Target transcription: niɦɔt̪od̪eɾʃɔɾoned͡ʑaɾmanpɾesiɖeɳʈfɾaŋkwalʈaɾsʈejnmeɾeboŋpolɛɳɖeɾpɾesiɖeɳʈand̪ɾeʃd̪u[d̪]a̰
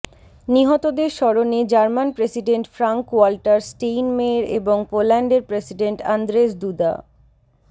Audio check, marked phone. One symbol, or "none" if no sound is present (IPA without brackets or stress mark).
d̪